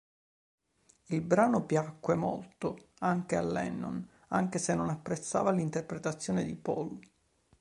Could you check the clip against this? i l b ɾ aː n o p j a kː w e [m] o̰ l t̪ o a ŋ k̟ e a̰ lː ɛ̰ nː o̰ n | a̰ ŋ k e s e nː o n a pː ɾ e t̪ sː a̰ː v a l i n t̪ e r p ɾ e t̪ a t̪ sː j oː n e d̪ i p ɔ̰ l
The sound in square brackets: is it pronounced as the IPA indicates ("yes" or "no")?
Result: yes